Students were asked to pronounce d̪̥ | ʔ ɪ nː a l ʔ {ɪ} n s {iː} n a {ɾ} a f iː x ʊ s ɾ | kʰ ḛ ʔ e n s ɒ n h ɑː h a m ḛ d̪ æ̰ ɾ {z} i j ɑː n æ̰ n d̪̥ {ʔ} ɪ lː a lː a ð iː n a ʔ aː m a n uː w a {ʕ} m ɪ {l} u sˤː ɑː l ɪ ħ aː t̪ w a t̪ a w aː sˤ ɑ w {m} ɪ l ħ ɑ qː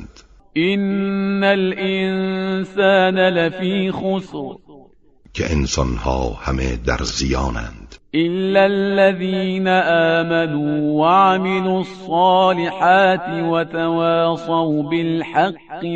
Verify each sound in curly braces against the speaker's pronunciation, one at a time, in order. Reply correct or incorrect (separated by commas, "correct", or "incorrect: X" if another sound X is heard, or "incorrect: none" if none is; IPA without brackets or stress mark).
correct, incorrect: aː, incorrect: l, correct, correct, correct, correct, incorrect: b